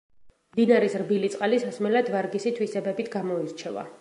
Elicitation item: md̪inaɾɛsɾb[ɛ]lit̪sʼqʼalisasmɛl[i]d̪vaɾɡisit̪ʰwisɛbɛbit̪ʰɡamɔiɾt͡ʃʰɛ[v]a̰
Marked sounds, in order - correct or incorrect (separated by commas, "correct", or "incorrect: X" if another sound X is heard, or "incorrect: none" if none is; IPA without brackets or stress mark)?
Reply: incorrect: i, incorrect: a, correct